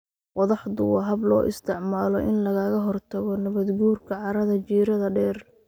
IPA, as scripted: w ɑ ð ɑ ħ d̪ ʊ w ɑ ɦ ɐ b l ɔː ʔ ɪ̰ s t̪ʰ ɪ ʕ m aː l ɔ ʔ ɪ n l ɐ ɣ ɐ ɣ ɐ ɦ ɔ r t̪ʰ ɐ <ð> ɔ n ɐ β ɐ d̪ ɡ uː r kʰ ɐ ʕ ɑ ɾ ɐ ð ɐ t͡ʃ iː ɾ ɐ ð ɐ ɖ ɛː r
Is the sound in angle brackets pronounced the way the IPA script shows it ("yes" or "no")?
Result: no